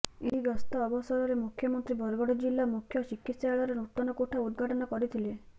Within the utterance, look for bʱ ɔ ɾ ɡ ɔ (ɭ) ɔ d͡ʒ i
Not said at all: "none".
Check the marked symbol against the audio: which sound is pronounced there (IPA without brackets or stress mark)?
ɽ